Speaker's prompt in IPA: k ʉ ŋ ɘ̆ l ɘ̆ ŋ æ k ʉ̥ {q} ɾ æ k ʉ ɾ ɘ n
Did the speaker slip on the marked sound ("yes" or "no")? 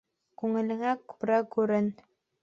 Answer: yes